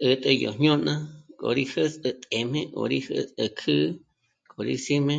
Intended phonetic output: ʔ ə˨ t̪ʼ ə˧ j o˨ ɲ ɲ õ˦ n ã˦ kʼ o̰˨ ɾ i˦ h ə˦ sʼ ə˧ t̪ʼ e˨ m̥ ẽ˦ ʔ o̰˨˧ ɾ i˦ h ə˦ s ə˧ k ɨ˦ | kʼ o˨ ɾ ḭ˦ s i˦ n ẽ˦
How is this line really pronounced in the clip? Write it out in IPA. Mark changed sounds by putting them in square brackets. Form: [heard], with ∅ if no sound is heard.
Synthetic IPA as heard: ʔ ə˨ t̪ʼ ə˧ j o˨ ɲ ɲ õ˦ n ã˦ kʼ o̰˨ ɾ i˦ h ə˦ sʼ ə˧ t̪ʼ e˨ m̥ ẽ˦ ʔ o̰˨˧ ɾ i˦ h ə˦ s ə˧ [kʰ] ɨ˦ | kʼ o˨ ɾ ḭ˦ s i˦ [m] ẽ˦